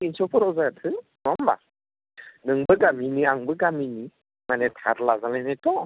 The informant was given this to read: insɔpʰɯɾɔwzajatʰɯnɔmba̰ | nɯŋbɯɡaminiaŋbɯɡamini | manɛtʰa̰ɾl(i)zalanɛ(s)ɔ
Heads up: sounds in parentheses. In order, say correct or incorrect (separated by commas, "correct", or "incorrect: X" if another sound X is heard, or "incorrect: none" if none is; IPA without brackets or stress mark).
incorrect: a, incorrect: t